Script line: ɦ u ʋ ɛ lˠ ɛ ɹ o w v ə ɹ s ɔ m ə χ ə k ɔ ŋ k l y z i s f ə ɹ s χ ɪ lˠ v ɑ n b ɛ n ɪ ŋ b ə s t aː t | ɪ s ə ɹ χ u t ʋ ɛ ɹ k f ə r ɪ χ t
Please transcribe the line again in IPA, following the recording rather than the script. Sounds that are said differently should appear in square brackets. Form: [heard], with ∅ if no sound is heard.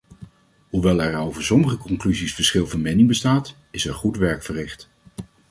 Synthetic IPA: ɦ u ʋ ɛ lˠ ɛ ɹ o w v ə ɹ s ɔ m ə χ ə k ɔ ŋ k l y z i s f ə ɹ s χ ɪ lˠ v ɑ n [m] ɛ n ɪ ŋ b ə s t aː t | ɪ s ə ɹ χ u t ʋ ɛ ɹ k f ə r ɪ χ t

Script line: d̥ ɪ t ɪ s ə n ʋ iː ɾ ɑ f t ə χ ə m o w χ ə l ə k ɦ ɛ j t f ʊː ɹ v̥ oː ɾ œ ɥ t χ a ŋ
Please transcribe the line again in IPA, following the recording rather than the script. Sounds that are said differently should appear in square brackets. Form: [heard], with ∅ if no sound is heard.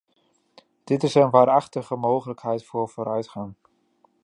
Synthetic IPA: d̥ ɪ t ɪ s ə n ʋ [aː] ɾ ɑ [χ] t ə χ ə m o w χ ə l ə k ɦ ɛ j t f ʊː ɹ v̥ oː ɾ œ ɥ t χ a ŋ

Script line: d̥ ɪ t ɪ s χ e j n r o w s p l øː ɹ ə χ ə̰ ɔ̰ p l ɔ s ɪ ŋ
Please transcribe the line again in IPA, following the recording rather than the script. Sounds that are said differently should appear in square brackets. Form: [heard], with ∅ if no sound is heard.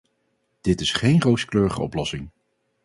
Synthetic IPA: d̥ ɪ t ɪ s χ e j n r o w s [k] l øː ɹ ə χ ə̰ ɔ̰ p l ɔ s ɪ ŋ

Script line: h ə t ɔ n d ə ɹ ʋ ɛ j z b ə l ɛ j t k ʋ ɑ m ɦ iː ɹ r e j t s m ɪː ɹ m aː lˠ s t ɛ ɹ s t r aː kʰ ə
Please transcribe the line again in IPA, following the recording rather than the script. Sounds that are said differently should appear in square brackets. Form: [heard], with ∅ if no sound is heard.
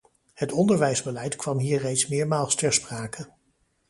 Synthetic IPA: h ə t ɔ n d ə ɹ ʋ ɛ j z b ə l ɛ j t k ʋ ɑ m ɦ iː ɹ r e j t s m ɪː ɹ m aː lˠ s t ɛ ɹ s [p] r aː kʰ ə

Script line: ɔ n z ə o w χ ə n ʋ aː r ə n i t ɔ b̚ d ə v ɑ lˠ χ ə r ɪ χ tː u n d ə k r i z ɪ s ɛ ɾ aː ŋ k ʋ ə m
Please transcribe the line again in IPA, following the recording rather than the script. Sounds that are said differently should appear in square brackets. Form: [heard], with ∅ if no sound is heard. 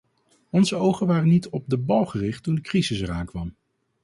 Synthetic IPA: ɔ n z ə o w χ ə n ʋ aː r ə n i t ɔ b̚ d ə [b] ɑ lˠ χ ə r ɪ χ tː u n d ə k r i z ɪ s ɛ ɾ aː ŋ k ʋ [ɑ] m

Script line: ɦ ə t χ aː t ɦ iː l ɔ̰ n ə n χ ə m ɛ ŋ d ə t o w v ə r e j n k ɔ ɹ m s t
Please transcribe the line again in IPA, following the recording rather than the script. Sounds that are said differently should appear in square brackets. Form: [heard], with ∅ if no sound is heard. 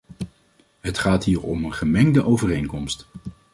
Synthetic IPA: ɦ ə t χ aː t ɦ iː [ɹ] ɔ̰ [m] ə n χ ə m ɛ ŋ d ə [ʔ] o w v ə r e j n k ɔ [∅] m s t

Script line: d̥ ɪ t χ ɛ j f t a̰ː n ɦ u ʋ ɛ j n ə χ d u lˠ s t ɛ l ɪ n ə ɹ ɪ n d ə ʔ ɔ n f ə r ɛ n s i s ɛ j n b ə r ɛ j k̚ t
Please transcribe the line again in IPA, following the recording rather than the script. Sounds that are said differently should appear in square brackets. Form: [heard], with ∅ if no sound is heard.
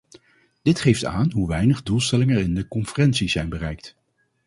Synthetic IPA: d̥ ɪ t χ [e] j f t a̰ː n ɦ u ʋ ɛ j n ə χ d u lˠ s t ɛ l ɪ [ŋ] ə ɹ ɪ n d ə [k] ɔ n f ə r ɛ n s i [z] ɛ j n b ə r ɛ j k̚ t

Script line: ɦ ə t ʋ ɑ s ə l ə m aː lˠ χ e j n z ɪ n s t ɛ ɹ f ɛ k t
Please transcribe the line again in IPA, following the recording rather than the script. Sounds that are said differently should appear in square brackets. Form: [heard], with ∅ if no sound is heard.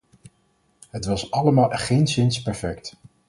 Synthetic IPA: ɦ ə t ʋ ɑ s [ɑ] l ə m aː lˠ χ e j n [s] ɪ n s [p] ɛ ɹ f ɛ k t

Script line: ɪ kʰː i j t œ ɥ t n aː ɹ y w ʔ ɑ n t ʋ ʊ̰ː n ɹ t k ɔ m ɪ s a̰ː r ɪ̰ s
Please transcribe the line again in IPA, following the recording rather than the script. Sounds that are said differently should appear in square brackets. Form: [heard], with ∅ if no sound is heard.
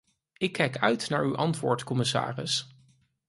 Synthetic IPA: ɪ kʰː [ɛ] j [k] œ ɥ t n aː ɹ y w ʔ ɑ n t ʋ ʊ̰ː [∅] ɹ t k ɔ m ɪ s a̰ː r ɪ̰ s

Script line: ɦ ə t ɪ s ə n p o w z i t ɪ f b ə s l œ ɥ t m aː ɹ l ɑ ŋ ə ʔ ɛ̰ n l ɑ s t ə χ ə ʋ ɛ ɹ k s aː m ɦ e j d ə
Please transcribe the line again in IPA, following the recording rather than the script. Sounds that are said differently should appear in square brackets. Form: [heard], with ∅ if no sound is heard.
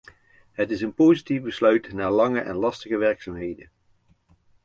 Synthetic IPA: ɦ ə t ɪ s ə n p o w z i t [i] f b ə s l œ ɥ t [n] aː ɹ l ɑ ŋ ə ʔ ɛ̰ n l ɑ s t ə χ ə ʋ ɛ ɹ k s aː m ɦ e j d ə

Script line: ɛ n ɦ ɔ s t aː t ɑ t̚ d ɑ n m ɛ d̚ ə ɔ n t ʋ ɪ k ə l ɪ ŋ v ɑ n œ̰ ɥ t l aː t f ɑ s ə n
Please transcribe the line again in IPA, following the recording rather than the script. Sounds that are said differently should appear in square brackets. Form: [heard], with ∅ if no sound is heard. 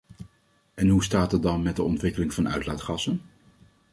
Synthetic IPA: ɛ n ɦ [u] s t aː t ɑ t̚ d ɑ n m ɛ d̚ ə ɔ n t ʋ ɪ k ə l ɪ ŋ v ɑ n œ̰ ɥ t l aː t [χ] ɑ s ə n

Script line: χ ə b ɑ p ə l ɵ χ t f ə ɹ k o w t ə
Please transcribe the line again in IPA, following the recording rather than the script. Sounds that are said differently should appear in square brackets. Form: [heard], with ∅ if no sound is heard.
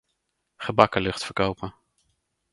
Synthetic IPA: χ ə b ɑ [k] ə l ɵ χ t f ə ɹ k o w [p] ə

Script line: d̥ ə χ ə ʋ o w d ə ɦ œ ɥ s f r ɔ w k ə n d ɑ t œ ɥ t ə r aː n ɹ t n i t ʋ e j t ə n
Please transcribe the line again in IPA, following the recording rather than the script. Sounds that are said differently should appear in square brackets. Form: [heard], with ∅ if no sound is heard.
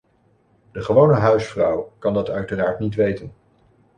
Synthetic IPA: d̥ ə χ ə ʋ o w [n] ə ɦ œ ɥ s f r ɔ w k [ɑ] n d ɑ t œ ɥ t ə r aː [∅] ɹ t n i t ʋ e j t ə n

